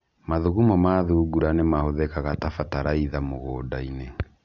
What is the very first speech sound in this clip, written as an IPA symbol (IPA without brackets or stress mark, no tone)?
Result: m